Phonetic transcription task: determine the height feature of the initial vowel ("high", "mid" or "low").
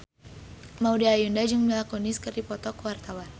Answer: low